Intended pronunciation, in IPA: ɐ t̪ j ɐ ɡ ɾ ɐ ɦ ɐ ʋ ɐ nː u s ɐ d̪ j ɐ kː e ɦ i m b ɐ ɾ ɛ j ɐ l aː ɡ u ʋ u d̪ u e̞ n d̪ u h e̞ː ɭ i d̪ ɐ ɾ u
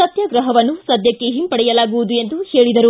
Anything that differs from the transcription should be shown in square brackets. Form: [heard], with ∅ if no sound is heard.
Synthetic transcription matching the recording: ɐ t̪ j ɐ ɡ ɾ ɐ ɦ ɐ ʋ ɐ nː u s ɐ d̪ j ɐ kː e ɦ i m [p] ɐ [ɽ] ɛ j ɐ l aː ɡ u ʋ u d̪ u e̞ n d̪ u h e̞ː ɭ i d̪ ɐ ɾ u